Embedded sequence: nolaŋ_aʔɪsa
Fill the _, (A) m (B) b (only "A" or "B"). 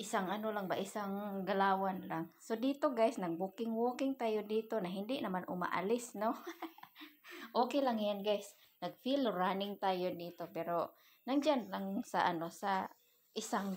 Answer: B